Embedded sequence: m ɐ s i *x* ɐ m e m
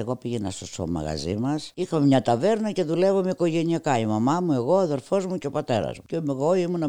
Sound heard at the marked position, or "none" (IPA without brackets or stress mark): x